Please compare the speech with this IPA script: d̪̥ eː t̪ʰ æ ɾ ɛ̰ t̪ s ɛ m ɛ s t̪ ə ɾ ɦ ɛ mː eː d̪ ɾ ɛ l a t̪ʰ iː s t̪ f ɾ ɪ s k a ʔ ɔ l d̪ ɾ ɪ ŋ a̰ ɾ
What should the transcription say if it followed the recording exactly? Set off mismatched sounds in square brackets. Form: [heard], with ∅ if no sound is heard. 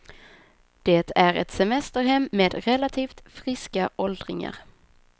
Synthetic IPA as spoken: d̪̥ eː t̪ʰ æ ɾ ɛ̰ t̪ s ɛ m ɛ s t̪ ə ɾ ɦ ɛ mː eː d̪ ɾ ɛ l a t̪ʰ iː [f] t̪ f ɾ ɪ s k a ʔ ɔ l d̪ ɾ ɪ ŋ a̰ ɾ